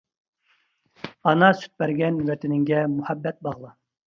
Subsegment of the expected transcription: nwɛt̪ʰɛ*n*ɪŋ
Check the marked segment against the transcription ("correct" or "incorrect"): correct